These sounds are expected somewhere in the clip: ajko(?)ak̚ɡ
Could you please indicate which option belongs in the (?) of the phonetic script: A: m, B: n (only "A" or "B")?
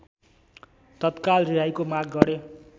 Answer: A